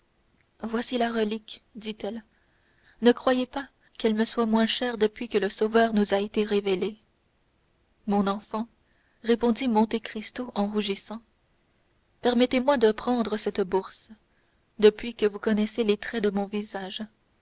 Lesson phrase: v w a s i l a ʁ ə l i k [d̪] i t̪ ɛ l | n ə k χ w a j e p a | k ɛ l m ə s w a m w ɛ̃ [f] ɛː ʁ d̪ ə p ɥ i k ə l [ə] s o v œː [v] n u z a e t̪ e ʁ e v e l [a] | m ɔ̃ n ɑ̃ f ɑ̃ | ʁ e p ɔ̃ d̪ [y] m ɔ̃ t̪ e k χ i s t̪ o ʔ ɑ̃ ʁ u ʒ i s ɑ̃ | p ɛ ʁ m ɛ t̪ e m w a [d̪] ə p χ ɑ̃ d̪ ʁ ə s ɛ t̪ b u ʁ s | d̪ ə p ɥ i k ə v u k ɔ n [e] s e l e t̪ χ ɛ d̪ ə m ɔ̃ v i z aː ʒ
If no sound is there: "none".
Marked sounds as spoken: d̪, ʃ, ə, ʁ, e, i, d̪, ɛ

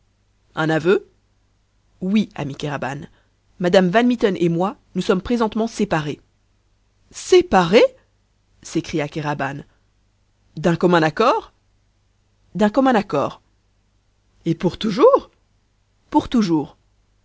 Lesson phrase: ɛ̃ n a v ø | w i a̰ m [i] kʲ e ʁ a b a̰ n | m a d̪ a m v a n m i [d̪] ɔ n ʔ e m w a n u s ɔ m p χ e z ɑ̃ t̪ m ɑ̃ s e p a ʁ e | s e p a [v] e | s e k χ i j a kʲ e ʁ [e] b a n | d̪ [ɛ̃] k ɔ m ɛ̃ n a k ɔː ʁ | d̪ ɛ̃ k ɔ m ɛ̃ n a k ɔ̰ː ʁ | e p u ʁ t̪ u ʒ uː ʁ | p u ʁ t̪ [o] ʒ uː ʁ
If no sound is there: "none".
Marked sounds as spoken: i, t̪, ʁ, a, ɛ̃, u

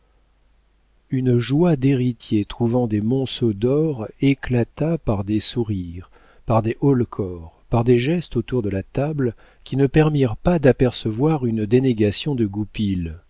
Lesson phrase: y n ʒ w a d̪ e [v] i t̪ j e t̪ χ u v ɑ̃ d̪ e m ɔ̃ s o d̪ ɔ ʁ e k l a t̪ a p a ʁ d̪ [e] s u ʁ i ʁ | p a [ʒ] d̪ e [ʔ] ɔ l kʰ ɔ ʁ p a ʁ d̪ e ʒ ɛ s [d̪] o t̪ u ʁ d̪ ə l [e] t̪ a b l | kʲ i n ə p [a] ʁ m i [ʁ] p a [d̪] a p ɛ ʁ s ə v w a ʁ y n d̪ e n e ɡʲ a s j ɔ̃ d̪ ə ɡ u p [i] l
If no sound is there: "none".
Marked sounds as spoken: ʁ, e, ʁ, ʔ, t̪, a, ɛ, ʁ, d̪, i

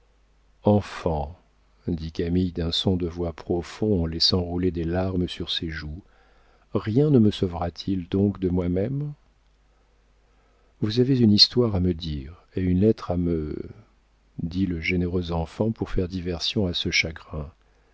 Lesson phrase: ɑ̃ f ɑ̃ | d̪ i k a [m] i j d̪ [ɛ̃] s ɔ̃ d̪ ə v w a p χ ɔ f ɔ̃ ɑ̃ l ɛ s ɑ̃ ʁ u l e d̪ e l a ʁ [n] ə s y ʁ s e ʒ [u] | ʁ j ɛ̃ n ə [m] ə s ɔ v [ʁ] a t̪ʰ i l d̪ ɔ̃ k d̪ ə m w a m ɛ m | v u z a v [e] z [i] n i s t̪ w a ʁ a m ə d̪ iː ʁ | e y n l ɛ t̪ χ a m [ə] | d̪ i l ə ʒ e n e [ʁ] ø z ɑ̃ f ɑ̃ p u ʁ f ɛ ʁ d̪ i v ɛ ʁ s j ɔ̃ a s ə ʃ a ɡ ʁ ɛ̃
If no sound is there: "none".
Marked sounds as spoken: m, ɛ̃, m, u, m, ʁ, e, y, ə, ʁ

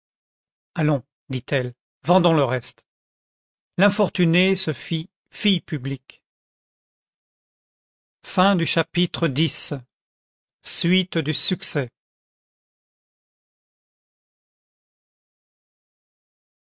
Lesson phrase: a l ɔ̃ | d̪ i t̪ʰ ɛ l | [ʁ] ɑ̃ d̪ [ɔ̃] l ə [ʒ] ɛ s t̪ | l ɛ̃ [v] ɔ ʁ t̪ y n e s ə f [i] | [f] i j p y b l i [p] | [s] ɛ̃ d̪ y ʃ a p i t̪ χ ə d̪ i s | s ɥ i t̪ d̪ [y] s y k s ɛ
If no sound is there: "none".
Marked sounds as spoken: v, ɔ̃, ʁ, f, i, f, k, f, y

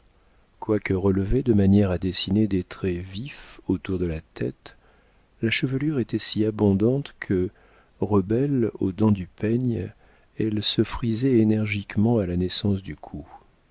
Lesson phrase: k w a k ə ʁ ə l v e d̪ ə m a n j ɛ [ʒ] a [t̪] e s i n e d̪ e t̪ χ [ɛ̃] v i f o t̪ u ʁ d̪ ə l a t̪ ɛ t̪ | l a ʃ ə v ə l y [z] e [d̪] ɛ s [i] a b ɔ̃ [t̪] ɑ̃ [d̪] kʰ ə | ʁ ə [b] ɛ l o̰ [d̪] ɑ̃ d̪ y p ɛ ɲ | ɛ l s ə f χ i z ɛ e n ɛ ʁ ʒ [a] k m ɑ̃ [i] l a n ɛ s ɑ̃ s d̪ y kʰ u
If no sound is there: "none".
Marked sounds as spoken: ʁ, d̪, ɛ, ʁ, t̪, i, d̪, t̪, b, d̪, i, a

